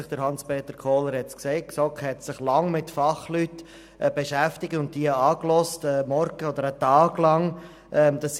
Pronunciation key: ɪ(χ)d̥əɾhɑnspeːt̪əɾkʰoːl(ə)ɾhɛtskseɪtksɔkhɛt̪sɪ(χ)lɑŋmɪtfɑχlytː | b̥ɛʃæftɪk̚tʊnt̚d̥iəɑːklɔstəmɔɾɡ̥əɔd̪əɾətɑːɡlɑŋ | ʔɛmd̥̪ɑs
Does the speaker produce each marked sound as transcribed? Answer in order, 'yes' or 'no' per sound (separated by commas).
yes, yes, yes